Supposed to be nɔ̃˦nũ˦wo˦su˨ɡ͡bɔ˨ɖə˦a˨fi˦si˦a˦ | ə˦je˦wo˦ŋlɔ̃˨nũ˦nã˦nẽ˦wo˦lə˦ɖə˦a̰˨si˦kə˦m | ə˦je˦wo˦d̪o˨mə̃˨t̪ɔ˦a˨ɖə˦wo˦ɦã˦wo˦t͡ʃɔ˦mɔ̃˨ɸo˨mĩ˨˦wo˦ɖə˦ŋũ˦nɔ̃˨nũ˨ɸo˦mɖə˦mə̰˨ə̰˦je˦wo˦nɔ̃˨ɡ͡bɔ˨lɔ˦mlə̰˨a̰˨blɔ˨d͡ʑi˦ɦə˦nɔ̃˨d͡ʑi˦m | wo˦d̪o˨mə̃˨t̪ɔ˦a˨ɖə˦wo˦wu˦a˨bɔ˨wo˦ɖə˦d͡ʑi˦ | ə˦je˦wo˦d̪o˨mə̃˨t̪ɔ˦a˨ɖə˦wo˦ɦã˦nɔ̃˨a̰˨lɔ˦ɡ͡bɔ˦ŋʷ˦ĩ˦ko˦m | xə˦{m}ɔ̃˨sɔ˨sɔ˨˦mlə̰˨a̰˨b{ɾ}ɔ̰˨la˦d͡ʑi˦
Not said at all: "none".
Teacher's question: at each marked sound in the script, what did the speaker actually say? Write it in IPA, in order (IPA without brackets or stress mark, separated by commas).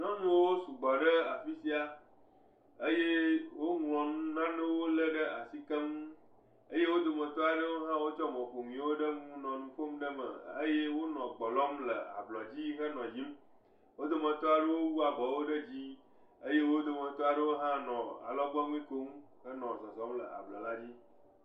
n, l